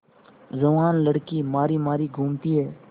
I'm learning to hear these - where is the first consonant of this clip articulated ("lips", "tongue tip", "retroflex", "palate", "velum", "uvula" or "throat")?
tongue tip